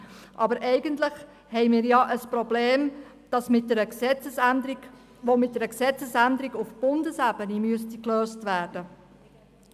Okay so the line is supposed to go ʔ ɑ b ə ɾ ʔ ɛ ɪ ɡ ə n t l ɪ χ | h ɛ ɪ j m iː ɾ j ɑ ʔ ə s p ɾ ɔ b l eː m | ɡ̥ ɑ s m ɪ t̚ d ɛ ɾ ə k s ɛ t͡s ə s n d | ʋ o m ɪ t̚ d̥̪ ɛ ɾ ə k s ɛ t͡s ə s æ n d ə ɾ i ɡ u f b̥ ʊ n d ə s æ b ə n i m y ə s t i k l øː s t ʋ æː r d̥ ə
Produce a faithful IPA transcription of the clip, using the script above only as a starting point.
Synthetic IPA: ʔ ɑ b ə ɾ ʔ ɛ ɪ ɡ ə n t l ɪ χ | h ɛ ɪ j m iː ɾ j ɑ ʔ ə s p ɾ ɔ b l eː m | d̥ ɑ s m ɪ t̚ d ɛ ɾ ə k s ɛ t͡s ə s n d | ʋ o m ɪ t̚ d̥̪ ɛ ɾ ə k s ɛ t͡s ə s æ n d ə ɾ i ɡ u f b̥ ʊ n d ə s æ b ə n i m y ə s t i k l øː s t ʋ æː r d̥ ə